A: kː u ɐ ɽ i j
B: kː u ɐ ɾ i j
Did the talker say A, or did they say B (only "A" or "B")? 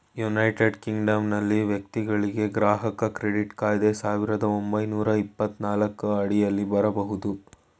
A